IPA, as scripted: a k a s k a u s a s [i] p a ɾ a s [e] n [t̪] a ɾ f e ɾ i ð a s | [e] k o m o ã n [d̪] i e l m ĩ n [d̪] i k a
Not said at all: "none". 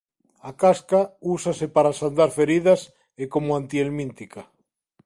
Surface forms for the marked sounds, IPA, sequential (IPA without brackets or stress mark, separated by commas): e, a, d̪, e, t̪, t̪